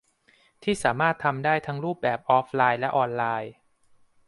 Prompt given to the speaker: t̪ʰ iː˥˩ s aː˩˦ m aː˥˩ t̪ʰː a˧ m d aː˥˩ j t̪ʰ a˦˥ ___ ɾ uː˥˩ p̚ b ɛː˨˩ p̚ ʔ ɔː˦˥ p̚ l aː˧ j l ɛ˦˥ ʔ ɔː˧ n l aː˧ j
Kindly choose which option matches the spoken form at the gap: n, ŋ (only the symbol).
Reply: ŋ